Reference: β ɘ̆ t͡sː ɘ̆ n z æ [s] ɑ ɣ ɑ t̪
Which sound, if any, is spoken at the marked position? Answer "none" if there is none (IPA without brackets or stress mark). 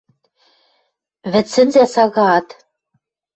s